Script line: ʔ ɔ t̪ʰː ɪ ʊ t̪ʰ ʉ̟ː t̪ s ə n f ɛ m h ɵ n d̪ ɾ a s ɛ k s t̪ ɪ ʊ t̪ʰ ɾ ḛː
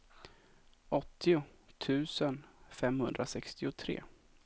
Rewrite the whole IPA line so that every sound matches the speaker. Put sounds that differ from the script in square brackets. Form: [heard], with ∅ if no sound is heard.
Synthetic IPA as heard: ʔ ɔ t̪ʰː ɪ ʊ t̪ʰ ʉ̟ː [∅] s ə n f ɛ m h ɵ n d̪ ɾ a s ɛ k s t̪ ɪ ʊ t̪ʰ ɾ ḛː